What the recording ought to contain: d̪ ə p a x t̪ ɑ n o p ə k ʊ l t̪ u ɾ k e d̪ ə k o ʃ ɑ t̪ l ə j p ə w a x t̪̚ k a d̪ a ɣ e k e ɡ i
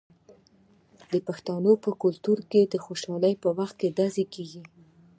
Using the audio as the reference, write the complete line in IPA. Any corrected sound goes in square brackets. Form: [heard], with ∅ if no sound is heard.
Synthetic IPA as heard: d̪ ə p a x t̪ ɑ n o p ə k ʊ l t̪ u ɾ k e d̪ ə [x] o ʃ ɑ [∅] l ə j p ə w a x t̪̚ k [e] d̪ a [z] e k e ɡ i